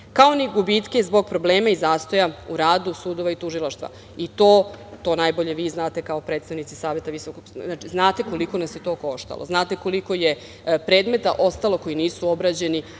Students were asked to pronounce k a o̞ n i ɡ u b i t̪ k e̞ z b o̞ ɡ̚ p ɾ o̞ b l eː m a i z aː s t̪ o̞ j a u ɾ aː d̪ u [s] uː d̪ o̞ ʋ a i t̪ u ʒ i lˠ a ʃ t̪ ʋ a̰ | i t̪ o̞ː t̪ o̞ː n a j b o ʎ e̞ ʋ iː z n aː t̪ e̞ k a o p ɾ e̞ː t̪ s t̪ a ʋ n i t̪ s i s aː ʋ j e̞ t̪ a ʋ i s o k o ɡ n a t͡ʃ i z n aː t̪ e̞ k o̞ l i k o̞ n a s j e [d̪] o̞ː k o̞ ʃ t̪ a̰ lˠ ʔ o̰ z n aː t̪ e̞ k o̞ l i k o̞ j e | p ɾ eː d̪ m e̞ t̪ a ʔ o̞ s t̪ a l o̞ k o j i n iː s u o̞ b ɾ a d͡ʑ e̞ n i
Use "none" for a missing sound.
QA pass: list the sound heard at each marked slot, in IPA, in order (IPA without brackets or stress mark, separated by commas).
s, t̪